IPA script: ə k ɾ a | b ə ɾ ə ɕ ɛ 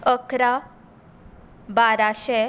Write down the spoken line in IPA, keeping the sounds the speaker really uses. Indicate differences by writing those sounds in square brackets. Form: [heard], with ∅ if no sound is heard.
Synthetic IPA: ə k ɾ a | b [a] ɾ [a] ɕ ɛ